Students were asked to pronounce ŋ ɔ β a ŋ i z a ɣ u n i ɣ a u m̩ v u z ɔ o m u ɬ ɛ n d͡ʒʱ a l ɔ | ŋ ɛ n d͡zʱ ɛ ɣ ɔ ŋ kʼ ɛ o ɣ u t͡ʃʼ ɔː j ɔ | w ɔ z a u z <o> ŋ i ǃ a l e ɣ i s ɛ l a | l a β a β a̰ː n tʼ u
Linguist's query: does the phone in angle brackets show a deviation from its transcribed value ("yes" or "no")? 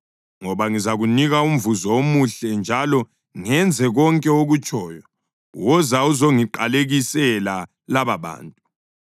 no